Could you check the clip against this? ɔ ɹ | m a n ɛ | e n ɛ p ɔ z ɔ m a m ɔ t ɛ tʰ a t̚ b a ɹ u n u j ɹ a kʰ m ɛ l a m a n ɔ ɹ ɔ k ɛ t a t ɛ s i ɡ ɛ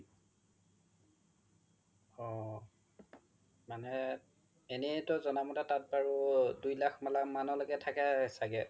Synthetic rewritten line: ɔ | m a n ɛ | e n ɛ t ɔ z ɔ n a m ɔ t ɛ t a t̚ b a ɹ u d u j l a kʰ m a l a m a n ɔ l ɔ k ɛ tʰ a k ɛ s a ɡ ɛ